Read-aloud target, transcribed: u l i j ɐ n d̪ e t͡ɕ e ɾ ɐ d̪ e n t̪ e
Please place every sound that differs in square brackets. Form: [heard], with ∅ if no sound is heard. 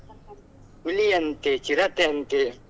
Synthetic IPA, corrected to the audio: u l i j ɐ n [t̪] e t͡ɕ [i] ɾ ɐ [t̪] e n t̪ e